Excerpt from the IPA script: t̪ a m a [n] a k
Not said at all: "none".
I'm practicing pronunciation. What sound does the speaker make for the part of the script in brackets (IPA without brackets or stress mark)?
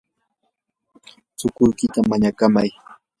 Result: ɲ